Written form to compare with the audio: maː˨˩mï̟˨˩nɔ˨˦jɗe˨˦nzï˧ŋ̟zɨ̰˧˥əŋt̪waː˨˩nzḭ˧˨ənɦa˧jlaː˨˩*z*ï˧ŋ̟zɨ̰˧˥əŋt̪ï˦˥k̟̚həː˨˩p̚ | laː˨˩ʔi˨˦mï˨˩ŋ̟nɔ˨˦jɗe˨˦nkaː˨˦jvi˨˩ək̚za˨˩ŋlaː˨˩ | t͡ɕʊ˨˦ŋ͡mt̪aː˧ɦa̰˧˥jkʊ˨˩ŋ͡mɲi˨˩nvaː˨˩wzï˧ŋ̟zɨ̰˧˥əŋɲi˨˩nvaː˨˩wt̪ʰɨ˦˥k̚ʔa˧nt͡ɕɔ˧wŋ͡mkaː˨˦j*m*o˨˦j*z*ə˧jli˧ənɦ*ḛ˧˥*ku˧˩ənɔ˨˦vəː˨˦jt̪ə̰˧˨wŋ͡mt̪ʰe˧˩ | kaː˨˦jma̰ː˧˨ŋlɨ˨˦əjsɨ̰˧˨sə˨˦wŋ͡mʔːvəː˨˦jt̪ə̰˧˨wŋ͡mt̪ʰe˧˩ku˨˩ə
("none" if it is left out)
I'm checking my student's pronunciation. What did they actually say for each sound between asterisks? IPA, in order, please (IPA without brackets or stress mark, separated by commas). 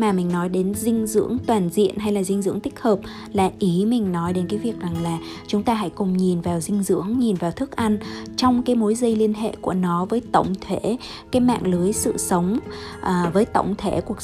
z, m, z, ḛ˧˨